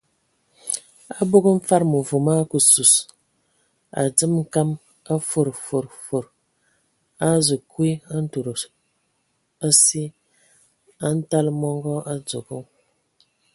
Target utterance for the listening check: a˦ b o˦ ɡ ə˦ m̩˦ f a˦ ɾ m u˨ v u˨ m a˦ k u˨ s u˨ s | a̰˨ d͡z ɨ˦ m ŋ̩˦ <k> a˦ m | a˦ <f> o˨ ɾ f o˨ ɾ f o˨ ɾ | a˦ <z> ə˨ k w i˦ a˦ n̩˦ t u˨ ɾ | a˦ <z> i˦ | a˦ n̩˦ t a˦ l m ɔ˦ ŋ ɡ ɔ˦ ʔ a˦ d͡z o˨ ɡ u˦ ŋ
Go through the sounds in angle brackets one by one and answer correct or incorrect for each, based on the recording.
correct, correct, correct, incorrect

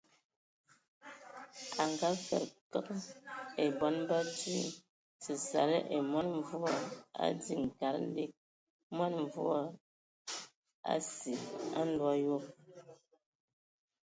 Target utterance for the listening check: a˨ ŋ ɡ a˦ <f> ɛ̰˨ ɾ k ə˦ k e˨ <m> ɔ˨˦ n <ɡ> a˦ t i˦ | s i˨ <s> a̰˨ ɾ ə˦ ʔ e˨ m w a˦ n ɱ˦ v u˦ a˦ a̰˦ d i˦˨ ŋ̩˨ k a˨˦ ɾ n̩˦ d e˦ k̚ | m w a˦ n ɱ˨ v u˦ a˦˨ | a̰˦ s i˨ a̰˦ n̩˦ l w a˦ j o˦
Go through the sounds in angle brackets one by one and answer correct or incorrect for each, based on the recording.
correct, incorrect, incorrect, correct

